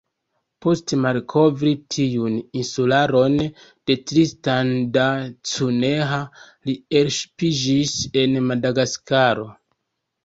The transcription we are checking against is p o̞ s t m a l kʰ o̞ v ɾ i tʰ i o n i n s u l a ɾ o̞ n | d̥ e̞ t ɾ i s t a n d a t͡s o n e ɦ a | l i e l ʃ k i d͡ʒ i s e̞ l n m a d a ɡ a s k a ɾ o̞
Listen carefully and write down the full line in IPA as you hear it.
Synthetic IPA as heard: p o̞ s t m a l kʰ o̞ v ɾ i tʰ i u n i n s u l a ɾ o̞ n | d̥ e̞ t ɾ i s t a n d a t͡s u n e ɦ a | l i e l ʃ p i d͡ʒ i s e̞ n m a d a ɡ a s k a ɾ o̞